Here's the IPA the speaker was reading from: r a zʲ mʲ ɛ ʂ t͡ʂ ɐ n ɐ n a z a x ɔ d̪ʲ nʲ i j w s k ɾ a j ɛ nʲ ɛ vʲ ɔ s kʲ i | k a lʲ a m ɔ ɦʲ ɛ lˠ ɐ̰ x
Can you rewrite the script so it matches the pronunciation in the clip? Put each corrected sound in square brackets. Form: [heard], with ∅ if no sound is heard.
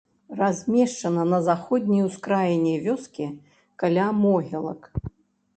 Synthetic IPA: r a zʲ mʲ ɛ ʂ t͡ʂ ɐ n ɐ n [ɐ] z a x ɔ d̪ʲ nʲ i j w s k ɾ a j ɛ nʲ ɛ vʲ ɔ s kʲ i | k a lʲ a m ɔ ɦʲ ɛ lˠ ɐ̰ [k]